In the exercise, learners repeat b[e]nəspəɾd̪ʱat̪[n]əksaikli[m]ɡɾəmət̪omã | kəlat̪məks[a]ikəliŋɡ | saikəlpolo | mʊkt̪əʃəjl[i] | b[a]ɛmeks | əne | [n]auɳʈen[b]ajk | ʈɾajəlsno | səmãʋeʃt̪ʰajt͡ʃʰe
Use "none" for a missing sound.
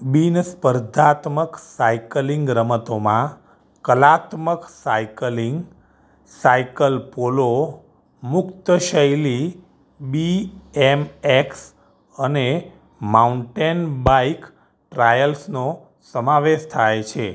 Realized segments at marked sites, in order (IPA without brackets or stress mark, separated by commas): i, m, ŋ, a, i, i, m, b